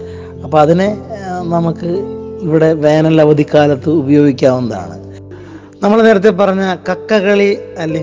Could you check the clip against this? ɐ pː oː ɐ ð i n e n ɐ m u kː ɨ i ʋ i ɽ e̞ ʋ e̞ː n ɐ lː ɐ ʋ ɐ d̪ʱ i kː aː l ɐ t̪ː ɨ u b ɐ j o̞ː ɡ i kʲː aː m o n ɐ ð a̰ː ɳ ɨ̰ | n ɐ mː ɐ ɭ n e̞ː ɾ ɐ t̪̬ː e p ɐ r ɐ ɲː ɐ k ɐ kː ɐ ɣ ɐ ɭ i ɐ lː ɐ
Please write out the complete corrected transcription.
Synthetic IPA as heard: ɐ pː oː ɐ ð i n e n ɐ m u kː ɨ i ʋ i ɽ e̞ ʋ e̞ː n ɐ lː ɐ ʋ ɐ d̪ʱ i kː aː l ɐ t̪ː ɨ u b ɐ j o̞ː ɡ i kʲː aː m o n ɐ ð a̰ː ɳ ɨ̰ | n ɐ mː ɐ ɭ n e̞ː ɾ ɐ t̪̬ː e p ɐ r ɐ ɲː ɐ k ɐ kː ɐ ɣ ɐ ɭ i ɐ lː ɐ